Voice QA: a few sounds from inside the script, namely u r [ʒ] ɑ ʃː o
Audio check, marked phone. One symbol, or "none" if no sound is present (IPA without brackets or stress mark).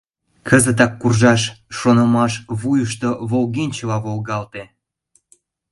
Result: ʒ